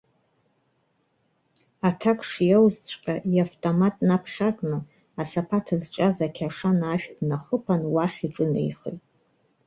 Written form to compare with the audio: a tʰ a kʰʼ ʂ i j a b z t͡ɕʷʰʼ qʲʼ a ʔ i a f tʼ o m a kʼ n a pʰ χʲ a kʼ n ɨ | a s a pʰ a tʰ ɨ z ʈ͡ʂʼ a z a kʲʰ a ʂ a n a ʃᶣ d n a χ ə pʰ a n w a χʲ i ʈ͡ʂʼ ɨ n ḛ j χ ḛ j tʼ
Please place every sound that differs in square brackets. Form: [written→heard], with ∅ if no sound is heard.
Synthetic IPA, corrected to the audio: a tʰ a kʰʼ ʂ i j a [b→w] z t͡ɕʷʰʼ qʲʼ a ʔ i a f tʼ o m a [kʼ→tʼ] n a pʰ χʲ a kʼ n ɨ | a s a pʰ a tʰ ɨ z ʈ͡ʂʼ a z a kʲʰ a ʂ a n a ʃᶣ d n a χ ə pʰ a n w a χʲ i ʈ͡ʂʼ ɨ n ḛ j χ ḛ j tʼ